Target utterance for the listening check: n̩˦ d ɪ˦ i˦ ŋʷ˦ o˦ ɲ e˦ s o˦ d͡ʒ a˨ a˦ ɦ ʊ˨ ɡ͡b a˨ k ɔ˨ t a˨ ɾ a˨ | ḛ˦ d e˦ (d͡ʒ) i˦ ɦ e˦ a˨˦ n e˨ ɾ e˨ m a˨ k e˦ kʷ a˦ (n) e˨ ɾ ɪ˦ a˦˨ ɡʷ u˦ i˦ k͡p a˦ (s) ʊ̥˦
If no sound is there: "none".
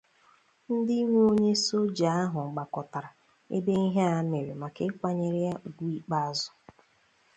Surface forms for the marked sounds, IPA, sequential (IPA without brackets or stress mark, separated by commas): none, ɲ, z